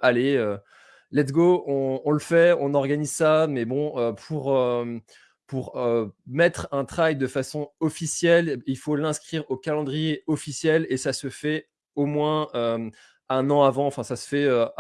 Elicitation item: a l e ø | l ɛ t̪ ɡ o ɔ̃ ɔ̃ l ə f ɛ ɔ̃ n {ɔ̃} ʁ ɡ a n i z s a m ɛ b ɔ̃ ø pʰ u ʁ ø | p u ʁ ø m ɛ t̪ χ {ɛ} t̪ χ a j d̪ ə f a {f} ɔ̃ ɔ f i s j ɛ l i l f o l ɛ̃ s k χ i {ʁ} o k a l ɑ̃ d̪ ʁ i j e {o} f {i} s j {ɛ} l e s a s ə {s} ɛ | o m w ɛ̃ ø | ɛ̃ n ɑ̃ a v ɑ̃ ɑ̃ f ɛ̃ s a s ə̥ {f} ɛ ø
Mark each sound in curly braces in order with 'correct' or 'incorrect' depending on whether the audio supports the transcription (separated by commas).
incorrect, incorrect, incorrect, correct, incorrect, correct, correct, incorrect, correct